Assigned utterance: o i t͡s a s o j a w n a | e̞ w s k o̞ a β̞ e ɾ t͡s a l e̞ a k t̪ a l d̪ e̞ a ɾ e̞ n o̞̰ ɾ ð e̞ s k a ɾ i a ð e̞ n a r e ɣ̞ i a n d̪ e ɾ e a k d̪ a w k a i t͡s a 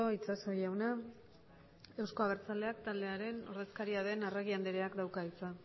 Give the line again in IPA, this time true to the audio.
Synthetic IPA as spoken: o i t͡s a s o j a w n a | e̞ w s k o̞ a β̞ e ɾ t͡s a l e̞ a k t̪ a l d̪ e̞ a ɾ e̞ n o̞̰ ɾ ð e̞ s k a ɾ i a ð e̞ n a r e ɣ̞ i a n d̪ e ɾ e a k d̪ a w k a i t͡s a